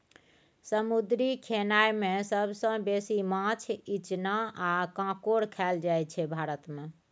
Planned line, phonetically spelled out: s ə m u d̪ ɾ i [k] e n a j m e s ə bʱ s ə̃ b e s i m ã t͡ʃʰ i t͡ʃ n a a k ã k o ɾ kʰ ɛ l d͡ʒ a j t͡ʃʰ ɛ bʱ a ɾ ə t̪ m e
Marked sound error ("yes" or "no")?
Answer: yes